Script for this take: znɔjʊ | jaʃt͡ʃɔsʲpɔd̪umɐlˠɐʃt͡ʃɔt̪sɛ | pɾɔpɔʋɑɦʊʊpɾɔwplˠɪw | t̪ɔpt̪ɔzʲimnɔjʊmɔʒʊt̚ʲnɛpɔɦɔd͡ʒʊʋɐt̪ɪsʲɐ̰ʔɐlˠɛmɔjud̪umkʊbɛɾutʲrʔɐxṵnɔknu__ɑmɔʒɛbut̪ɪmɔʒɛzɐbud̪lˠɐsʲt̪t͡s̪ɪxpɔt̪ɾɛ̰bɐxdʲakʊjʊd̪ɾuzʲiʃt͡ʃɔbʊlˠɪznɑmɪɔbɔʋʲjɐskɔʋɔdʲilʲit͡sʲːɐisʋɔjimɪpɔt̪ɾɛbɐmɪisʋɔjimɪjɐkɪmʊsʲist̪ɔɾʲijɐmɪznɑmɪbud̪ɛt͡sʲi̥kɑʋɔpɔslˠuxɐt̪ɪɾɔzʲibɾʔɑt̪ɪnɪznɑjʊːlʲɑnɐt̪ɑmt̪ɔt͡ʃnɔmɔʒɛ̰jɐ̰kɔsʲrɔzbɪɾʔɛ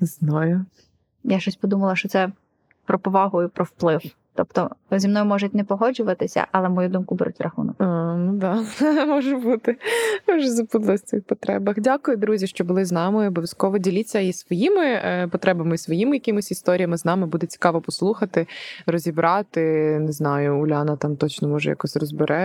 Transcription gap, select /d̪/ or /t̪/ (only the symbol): d̪